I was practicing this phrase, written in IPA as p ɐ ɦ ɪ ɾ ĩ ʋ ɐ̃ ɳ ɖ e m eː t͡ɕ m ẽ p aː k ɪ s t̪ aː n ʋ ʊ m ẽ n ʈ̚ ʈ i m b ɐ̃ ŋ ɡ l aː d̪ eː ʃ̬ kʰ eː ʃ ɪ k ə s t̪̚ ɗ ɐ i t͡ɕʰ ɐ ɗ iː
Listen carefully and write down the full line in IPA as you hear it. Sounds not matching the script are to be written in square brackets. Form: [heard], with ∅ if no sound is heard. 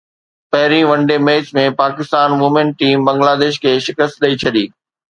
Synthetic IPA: p ɐ ɦ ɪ ɾ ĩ ʋ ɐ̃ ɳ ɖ e m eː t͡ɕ m ẽ p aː k ɪ s t̪ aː n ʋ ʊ m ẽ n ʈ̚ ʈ [iː] m b ɐ̃ ŋ ɡ l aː d̪ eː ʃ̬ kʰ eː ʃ ɪ k ə s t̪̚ ɗ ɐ i t͡ɕʰ ɐ ɗ iː